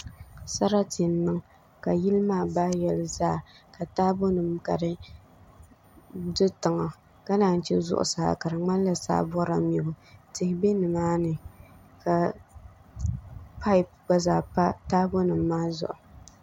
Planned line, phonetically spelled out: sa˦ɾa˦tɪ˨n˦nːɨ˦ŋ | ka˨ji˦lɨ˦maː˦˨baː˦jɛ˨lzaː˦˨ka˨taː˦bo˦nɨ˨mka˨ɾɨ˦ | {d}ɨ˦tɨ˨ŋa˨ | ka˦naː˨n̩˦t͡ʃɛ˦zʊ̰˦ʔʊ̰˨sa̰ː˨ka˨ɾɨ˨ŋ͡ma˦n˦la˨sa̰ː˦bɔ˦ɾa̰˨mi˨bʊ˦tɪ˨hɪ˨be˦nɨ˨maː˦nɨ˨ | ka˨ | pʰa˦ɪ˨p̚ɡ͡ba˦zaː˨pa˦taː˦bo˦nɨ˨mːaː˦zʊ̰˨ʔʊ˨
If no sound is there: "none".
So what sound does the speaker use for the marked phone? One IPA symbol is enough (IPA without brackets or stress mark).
d